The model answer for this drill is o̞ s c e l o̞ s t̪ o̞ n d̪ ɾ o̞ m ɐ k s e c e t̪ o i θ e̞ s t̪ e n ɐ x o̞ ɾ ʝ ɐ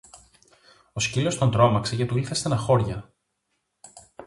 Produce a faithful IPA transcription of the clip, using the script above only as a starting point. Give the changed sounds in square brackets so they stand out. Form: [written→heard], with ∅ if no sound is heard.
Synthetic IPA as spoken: o̞ s c [e→i] l o̞ s t̪ o̞ n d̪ ɾ o̞ m ɐ k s e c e t̪ [o→u] i θ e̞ s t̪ e n ɐ x o̞ ɾ ʝ ɐ